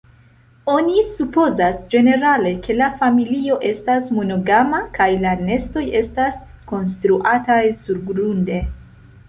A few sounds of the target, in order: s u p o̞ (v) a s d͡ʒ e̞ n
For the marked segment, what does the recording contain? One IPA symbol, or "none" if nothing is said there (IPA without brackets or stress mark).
z